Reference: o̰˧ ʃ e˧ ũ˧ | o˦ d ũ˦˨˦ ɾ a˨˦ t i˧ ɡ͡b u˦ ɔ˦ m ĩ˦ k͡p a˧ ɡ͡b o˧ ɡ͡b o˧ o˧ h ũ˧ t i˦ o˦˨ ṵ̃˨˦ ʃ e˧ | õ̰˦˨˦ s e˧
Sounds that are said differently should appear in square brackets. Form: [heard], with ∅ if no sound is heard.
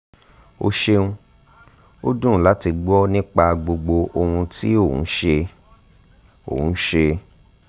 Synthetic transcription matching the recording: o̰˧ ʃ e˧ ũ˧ | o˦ d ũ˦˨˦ [l] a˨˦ t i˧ ɡ͡b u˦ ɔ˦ [n] ĩ˦ k͡p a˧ ɡ͡b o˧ ɡ͡b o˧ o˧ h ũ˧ t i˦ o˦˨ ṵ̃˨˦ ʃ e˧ | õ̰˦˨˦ [ʃ] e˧